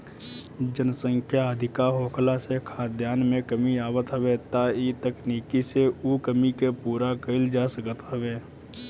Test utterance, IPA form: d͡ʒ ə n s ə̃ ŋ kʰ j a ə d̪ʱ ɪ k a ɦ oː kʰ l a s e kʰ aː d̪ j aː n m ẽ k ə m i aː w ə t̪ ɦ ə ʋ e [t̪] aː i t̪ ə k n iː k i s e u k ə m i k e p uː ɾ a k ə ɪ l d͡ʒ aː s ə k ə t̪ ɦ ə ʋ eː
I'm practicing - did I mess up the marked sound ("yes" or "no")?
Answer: no